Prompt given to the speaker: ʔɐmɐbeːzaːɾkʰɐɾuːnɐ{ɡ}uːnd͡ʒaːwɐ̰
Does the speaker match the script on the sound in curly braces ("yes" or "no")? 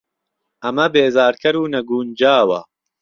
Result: yes